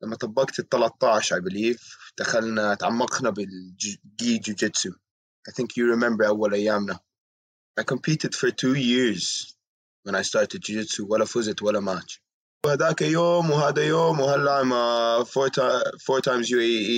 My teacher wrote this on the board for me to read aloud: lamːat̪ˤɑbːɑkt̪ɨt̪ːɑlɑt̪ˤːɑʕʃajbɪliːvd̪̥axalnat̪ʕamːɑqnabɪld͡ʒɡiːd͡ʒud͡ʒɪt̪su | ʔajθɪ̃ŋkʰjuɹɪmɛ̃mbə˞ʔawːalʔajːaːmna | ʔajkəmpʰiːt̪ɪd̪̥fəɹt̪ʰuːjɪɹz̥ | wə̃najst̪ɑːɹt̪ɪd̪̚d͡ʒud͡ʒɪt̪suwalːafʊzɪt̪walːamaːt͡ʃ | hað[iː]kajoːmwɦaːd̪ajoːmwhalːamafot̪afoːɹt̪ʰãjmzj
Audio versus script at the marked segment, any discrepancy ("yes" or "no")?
yes